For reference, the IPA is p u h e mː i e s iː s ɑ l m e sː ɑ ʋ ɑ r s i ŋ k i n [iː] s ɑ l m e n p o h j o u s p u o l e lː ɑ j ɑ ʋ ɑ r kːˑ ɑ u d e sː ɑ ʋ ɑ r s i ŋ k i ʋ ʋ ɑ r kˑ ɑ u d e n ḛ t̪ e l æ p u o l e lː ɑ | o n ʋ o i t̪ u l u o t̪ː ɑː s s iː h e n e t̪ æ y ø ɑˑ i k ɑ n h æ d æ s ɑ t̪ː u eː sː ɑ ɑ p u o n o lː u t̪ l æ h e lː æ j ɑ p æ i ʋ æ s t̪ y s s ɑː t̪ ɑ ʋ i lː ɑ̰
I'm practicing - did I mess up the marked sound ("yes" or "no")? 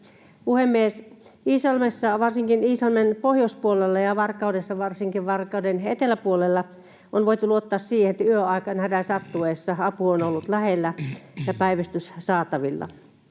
no